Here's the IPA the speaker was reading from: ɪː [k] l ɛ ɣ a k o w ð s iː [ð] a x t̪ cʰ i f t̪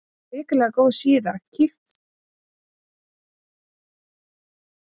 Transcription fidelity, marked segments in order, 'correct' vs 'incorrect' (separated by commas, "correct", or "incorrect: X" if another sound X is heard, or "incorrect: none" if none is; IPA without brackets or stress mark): correct, correct